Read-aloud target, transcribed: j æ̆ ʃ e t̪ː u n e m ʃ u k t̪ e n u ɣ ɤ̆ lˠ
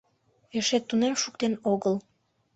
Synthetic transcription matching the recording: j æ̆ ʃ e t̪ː u n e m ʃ u k t̪ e n o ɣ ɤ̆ lˠ

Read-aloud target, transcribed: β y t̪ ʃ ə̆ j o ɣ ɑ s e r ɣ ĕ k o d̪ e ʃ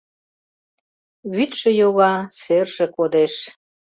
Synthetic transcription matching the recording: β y t̪ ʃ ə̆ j o ɣ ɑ s e r ʒ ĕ k o d̪ e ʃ

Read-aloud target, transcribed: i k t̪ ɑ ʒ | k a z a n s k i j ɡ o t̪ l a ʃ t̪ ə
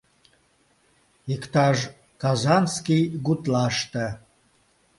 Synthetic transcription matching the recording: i k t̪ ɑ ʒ | k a z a n s k i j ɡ u t̪ l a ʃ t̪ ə

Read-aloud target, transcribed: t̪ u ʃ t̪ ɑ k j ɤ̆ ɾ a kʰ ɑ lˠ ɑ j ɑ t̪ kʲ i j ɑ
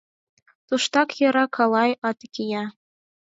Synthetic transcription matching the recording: t̪ u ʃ t̪ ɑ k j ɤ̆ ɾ ɑ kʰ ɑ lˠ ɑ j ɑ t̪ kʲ i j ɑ

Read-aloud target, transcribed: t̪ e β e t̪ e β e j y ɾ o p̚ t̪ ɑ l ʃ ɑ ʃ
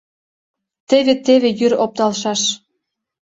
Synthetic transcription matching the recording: t̪ e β e t̪ e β e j y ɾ o p̚ t̪ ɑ l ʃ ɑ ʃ

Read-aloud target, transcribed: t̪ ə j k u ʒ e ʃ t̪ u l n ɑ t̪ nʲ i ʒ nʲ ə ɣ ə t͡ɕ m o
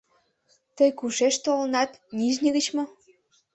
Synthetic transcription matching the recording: t̪ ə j k u ʃ e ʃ t̪ o l n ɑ t̪ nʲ i ʒ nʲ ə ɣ ə t͡ɕ m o

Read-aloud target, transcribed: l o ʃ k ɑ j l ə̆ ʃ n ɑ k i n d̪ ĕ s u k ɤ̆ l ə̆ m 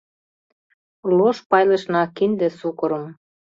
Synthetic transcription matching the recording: l o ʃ p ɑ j l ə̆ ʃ n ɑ k i n d̪ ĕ s u k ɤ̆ ɾ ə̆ m

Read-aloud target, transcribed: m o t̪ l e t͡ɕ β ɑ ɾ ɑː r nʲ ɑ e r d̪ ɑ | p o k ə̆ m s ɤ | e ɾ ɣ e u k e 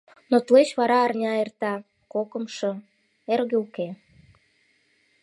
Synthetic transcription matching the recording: n o t̪ l e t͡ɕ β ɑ ɾ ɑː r nʲ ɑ e r t̪ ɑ | k o k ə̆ m ʃ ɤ | e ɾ ɣ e u k e

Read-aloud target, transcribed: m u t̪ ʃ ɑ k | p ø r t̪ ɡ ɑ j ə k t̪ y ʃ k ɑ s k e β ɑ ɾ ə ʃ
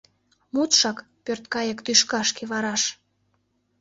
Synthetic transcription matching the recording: m u t̪ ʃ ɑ k | p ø r t̪ k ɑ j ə k t̪ y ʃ k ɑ ʃ k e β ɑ ɾ ɑ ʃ

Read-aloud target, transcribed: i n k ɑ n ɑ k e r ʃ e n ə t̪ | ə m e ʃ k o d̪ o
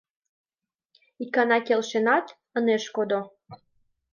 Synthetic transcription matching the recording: i k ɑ n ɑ k e l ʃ e n ɑ t̪ | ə n e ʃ k o d̪ o

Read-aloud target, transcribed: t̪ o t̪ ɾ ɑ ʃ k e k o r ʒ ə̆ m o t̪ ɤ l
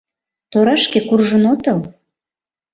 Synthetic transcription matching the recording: t̪ o ɾ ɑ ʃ k e k u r ʒ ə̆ n o t̪ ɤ l

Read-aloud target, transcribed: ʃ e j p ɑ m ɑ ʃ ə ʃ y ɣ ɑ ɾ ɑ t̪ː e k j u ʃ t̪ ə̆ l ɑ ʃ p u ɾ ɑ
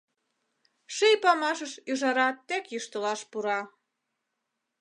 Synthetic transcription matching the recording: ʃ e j p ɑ m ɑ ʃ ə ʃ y ʒ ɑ ɾ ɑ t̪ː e k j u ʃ t̪ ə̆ l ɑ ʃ p u ɾ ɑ

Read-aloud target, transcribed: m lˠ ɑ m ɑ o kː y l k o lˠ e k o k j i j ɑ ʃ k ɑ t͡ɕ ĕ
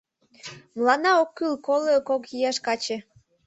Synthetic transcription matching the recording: m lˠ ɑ n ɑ o kː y l k o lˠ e k o k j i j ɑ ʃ k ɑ t͡ɕ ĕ

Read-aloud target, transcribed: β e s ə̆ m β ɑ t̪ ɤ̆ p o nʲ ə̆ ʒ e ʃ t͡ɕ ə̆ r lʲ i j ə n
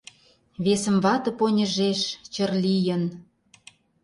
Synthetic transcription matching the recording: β e s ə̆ m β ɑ t̪ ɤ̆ p o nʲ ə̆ ʒ e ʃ t͡ɕ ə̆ r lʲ i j ə n

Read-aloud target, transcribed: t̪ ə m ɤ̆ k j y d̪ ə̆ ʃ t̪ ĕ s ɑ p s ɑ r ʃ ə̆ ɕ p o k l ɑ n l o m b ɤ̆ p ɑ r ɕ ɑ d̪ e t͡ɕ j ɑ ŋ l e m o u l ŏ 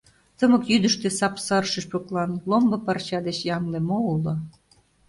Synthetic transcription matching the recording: t̪ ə m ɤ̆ k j y d̪ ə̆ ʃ t̪ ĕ s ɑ p s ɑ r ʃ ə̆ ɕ p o k l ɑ n l o m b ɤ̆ p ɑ r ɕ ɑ d̪ e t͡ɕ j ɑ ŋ l e m o u l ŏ

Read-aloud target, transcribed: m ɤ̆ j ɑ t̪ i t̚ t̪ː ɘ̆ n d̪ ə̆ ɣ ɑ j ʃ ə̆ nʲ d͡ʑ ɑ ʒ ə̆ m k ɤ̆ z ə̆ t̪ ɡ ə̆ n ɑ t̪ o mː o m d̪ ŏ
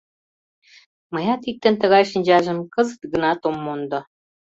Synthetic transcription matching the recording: m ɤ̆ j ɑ t̪ i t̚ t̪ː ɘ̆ n t̪ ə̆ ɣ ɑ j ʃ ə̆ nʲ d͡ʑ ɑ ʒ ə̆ m k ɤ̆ z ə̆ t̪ ɡ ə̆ n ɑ t̪ o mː o n d̪ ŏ

